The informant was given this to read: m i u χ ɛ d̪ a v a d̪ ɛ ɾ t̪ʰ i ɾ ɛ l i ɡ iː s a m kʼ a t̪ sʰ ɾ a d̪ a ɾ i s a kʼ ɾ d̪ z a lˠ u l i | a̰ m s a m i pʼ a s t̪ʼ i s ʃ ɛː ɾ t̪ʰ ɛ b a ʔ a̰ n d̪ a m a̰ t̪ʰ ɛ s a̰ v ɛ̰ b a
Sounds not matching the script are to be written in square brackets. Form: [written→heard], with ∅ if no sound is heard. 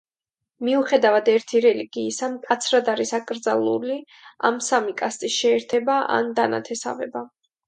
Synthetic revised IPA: m i u χ ɛ d̪ a v a d̪ ɛ ɾ t̪ʰ i ɾ ɛ l i ɡ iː s a m kʼ a t̪ sʰ ɾ a d̪ a ɾ i s a kʼ ɾ d̪ z a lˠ u l i | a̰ m s a m i [pʼ→kʼ] a s t̪ʼ i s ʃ ɛː ɾ t̪ʰ ɛ b a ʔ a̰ n d̪ a [m→n] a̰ t̪ʰ ɛ s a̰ v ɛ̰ b a

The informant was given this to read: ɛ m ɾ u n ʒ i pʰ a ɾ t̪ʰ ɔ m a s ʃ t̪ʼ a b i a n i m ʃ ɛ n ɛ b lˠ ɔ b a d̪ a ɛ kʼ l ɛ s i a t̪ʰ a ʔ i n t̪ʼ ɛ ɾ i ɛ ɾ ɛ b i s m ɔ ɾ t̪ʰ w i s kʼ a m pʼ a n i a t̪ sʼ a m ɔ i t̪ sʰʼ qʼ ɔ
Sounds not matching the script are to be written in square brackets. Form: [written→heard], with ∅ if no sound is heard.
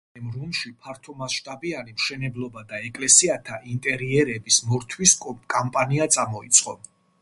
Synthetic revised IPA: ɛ m ɾ u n [ʒ→ʃ] i pʰ a ɾ t̪ʰ ɔ m a s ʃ t̪ʼ a b i a n i m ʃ ɛ n ɛ b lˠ ɔ b a d̪ a ɛ kʼ l ɛ s i a t̪ʰ a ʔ i n t̪ʼ ɛ ɾ i ɛ ɾ ɛ b i s m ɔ ɾ t̪ʰ w i s kʼ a m pʼ a n i a t̪ sʼ a m ɔ i t̪ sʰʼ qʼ ɔ

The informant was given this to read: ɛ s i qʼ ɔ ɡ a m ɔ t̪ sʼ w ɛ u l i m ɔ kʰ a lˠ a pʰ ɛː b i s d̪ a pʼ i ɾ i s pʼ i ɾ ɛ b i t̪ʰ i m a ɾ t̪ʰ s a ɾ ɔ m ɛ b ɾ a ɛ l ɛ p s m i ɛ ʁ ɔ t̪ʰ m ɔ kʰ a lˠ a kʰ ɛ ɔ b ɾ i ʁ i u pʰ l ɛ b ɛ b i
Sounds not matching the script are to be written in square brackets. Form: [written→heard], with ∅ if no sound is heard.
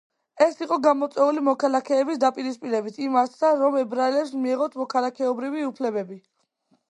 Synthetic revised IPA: ɛ s i qʼ ɔ ɡ a m ɔ t̪ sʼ w ɛ u l i m ɔ kʰ a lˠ a [pʰ→kʰ] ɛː b i s d̪ a pʼ i ɾ i s pʼ i ɾ ɛ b i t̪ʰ i m a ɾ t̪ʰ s a ɾ ɔ m ɛ b ɾ a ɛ l ɛ p s m i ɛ ʁ ɔ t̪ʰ m ɔ kʰ a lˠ a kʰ ɛ ɔ b ɾ i [ʁ→v] i u pʰ l ɛ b ɛ b i

